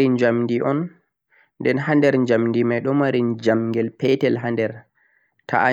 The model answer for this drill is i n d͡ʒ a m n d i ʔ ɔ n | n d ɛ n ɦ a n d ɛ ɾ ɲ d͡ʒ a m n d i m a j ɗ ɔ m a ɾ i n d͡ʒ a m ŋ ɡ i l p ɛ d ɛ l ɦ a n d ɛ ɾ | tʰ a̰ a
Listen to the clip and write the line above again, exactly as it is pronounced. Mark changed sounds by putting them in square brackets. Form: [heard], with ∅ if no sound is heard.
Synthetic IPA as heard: i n d͡ʒ a m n d i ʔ ɔ n | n d ɛ n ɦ a n d ɛ ɾ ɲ d͡ʒ a m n d i m a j ɗ ɔ m a ɾ i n d͡ʒ a m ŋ ɡ [ɛ] l p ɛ [t] ɛ l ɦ a n d ɛ ɾ | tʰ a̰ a